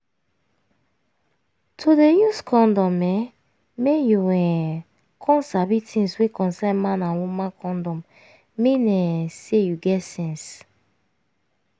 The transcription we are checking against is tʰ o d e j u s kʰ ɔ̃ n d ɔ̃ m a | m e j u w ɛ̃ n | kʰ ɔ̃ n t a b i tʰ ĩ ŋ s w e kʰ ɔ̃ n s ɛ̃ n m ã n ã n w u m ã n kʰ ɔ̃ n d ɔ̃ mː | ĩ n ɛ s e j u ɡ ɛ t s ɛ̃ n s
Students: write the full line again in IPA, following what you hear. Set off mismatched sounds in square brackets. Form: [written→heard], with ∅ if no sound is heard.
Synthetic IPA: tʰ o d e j u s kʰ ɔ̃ n d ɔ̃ m [a→ɛ] | m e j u w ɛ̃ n | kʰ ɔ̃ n [t→s] a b i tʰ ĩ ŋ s w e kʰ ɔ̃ n s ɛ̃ n m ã n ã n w u m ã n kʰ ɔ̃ n d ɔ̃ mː | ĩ n ɛ s e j u ɡ ɛ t s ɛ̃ n s